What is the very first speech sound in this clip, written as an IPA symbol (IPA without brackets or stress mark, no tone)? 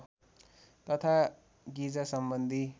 t̪